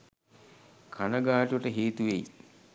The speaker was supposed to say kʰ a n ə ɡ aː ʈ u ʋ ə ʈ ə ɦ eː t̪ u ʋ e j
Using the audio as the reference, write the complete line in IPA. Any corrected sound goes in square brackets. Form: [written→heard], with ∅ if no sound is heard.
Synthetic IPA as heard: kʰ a n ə ɡ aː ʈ u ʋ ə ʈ ə ɦ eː t̪ u ʋ e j